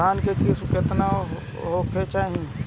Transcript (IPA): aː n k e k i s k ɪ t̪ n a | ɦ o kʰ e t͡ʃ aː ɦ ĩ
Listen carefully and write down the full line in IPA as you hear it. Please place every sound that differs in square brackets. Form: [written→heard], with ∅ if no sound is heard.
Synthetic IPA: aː n k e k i s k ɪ t̪ n a | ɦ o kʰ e t͡ʃ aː ɦ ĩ